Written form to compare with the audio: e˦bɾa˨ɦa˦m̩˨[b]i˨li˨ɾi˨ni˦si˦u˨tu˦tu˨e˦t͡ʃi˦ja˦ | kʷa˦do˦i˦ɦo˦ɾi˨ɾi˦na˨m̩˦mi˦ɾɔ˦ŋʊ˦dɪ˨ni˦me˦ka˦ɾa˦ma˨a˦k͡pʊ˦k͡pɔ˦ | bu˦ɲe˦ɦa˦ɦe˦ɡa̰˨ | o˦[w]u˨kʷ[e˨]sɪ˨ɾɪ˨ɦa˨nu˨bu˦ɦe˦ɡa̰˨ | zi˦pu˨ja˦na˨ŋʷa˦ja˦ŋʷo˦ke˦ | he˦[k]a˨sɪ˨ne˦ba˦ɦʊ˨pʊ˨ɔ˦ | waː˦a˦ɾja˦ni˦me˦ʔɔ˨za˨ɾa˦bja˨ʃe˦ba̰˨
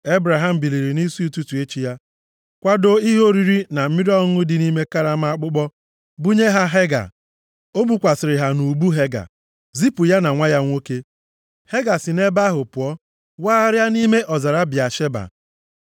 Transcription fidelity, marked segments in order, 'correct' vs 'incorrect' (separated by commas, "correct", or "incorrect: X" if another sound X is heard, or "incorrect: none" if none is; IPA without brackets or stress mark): correct, incorrect: b, incorrect: a˨, incorrect: ɡ